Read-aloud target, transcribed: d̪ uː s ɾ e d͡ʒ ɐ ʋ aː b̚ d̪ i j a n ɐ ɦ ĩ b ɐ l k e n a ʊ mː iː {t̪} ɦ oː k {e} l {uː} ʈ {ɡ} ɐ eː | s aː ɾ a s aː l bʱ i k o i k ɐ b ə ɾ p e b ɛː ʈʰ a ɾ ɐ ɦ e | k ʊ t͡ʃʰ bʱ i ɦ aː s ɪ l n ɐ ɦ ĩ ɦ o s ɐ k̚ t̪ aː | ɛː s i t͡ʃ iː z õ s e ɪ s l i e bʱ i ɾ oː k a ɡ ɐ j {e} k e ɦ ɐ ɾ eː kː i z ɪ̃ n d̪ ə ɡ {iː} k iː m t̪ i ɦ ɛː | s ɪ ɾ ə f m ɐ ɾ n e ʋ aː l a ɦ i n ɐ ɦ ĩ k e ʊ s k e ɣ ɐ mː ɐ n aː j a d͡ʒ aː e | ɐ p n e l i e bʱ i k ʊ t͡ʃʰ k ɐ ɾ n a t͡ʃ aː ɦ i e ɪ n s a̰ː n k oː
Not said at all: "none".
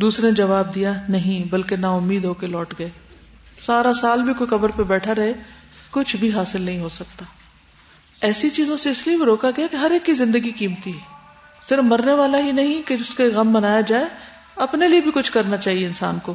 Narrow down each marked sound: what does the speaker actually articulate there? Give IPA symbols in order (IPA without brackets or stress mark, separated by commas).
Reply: d̪, e, ɔː, ɡ, a, i